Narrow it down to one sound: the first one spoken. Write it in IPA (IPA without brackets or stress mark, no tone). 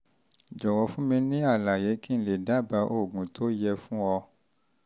d͡ʒ